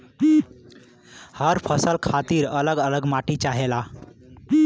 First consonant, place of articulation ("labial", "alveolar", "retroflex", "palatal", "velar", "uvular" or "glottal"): glottal